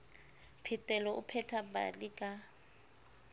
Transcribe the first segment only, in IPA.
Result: pʰ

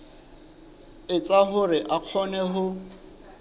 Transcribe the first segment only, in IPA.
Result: ɪ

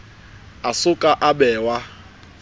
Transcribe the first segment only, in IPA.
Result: a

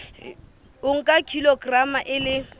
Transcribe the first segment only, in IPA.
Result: ʊ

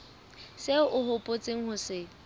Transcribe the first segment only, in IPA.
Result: s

